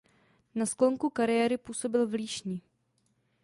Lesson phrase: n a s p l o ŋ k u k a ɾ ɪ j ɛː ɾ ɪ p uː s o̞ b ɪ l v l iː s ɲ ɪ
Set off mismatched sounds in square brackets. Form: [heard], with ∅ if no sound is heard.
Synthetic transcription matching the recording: n a s [k] l o ŋ k u k a ɾ ɪ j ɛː ɾ ɪ p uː s o̞ b ɪ l v l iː [ʃ] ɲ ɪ